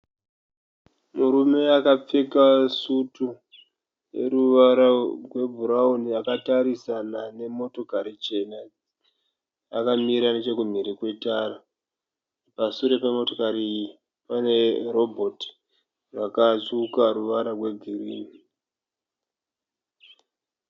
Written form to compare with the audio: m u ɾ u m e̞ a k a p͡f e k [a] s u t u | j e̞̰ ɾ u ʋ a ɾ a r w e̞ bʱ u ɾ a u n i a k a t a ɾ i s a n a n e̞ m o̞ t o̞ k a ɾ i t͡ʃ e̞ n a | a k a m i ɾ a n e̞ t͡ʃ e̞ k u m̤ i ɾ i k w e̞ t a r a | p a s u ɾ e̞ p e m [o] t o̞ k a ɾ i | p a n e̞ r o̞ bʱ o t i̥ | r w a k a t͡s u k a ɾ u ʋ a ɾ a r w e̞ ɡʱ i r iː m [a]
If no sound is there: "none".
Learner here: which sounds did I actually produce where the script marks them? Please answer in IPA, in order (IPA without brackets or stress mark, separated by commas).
a, o, i